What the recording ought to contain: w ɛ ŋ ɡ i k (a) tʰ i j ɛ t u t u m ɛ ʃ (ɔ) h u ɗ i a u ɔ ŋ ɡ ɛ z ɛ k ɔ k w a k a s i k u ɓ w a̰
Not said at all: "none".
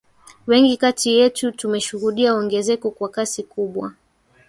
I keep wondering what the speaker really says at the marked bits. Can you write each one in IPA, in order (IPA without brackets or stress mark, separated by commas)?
a, u